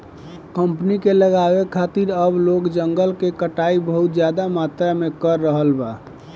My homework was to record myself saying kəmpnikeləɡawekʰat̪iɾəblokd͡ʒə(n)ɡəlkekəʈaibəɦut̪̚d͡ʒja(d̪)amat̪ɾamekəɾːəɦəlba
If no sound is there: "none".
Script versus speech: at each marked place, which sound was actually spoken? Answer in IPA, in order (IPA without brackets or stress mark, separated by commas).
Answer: ŋ, d̪